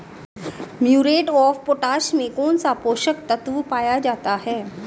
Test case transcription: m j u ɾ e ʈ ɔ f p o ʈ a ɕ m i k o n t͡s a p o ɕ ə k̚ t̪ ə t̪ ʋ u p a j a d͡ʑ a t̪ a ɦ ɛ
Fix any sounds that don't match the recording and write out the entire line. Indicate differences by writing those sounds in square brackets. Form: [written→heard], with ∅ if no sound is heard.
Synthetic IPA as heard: m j u ɾ e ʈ ɔ f p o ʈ a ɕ m [i→e] k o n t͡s a p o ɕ ə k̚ t̪ ə t̪ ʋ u p a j a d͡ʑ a t̪ a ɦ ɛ

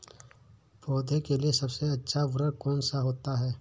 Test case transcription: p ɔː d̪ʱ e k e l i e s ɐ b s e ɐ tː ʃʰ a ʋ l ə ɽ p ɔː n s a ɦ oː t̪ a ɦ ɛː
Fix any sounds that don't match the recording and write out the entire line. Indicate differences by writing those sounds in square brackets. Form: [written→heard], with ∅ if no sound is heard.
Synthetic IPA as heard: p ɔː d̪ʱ e k e l i e s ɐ b s e ɐ tː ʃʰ a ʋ [l→ɾ] ə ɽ [p→k] ɔː n s a ɦ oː t̪ a ɦ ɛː

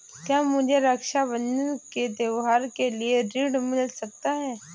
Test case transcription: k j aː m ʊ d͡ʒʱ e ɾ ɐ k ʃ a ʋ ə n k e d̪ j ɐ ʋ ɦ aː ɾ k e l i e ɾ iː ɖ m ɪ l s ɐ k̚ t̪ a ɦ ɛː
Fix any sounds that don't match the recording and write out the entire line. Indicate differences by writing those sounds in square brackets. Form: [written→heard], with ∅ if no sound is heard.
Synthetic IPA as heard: k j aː m ʊ d͡ʒʱ e ɾ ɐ k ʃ a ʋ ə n k e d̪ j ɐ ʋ ɦ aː ɾ k e l i e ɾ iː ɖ m ɪ l s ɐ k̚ t̪ a ɦ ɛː

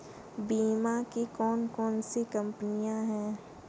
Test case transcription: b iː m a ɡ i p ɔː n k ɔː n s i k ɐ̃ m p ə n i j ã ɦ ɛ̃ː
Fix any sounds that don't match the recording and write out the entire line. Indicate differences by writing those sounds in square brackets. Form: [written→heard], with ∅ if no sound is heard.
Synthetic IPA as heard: b iː m a [ɡ→k] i [p→k] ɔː n k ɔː n s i k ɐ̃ m p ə n i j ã ɦ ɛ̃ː

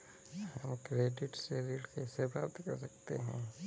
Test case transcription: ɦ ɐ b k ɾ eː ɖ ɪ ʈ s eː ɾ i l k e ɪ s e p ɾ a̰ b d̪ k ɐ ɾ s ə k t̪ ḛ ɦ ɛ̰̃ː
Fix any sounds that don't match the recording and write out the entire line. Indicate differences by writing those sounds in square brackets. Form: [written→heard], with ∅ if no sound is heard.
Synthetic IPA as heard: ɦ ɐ [b→m] k ɾ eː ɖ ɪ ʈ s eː ɾ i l k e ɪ s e p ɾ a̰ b [d̪→t̪] k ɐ ɾ s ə k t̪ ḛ ɦ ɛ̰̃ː

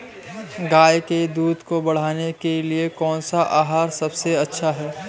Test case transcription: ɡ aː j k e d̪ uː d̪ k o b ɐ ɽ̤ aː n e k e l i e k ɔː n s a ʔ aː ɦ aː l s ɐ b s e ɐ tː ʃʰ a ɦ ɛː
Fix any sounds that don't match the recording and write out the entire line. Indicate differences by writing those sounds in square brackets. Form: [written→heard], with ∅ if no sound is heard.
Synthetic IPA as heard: ɡ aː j k e d̪ uː d̪ k o b ɐ ɽ̤ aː n e k e l i e k ɔː n s a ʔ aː ɦ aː [l→ɾ] s ɐ b s e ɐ tː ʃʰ a ɦ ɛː

